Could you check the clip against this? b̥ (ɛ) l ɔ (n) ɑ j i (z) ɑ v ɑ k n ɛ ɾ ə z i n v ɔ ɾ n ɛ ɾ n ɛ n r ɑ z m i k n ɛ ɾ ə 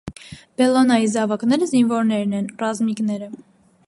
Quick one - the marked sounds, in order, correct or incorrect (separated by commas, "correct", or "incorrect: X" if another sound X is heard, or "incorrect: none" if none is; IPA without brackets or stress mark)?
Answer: correct, correct, correct